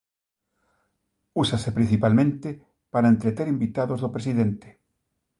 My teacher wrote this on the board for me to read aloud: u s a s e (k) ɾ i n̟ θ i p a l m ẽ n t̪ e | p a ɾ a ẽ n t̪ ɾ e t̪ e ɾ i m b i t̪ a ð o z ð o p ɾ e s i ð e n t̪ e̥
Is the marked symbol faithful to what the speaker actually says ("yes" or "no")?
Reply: no